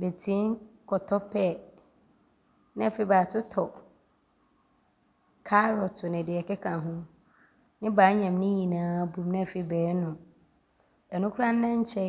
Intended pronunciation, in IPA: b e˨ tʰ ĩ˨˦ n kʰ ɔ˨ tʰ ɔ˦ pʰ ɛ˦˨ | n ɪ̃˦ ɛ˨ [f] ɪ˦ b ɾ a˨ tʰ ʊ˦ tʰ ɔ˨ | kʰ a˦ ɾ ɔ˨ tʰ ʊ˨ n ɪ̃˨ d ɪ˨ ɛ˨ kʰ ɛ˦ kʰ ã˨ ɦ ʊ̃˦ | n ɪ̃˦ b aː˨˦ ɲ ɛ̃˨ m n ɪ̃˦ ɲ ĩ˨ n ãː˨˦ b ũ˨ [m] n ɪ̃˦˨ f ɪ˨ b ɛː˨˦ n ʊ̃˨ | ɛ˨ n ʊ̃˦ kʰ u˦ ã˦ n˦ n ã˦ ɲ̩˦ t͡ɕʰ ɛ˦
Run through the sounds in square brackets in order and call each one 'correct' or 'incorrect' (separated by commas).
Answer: correct, correct